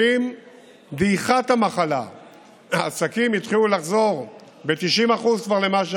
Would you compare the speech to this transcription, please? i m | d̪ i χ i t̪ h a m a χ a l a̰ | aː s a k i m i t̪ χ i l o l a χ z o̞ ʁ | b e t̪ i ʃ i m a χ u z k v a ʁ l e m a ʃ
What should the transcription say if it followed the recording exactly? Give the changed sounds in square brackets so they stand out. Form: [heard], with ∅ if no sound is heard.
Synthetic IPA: i m | d̪ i χ [a] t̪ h a m a χ a l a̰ | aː s a k i m i t̪ χ i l [u] l a χ z o̞ ʁ | b e t̪ i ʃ i m a χ u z k v a ʁ l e m a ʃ